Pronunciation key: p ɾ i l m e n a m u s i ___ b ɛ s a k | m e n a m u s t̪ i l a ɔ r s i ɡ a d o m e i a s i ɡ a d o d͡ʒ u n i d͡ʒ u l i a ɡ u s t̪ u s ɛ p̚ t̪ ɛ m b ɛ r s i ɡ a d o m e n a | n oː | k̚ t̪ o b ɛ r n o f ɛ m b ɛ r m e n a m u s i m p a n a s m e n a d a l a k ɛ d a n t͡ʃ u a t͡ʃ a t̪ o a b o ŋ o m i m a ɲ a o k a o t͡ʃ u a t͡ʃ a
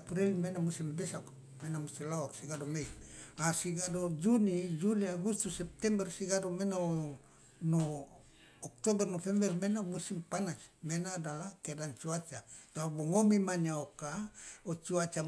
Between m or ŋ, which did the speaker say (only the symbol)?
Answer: m